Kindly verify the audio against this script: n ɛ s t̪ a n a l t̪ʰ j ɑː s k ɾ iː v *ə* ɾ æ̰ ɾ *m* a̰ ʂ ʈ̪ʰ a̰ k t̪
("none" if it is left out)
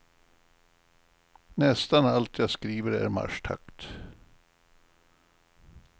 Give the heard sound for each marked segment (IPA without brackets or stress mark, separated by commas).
ə, m